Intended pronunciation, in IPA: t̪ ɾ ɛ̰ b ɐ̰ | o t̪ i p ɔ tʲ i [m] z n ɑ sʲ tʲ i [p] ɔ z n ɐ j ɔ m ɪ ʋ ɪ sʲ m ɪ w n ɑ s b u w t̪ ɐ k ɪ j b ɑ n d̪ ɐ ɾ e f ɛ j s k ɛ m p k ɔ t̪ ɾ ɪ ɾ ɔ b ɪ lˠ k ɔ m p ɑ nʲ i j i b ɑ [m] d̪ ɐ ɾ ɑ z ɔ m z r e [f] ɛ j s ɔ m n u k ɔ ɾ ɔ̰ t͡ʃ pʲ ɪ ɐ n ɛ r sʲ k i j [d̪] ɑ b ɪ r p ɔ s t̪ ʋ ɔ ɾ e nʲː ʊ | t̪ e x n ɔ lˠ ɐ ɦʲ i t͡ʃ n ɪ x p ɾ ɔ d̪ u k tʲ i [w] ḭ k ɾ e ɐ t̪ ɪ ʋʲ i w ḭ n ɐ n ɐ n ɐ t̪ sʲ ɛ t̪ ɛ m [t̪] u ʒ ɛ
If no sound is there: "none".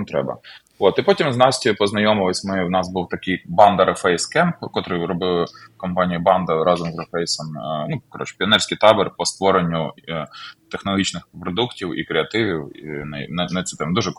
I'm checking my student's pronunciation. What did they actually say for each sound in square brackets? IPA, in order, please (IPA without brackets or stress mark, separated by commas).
m, p, n, f, t̪, w, d̪